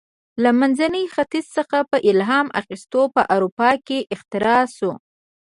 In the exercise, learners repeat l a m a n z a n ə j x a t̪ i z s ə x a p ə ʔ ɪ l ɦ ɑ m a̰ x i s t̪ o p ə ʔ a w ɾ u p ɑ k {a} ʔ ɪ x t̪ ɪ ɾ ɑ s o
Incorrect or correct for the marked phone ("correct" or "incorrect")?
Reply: incorrect